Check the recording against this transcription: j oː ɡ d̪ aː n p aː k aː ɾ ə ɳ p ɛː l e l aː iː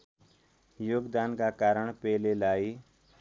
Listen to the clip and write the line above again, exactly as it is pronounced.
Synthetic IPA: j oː ɡ d̪ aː n k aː k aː ɾ ə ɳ p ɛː l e l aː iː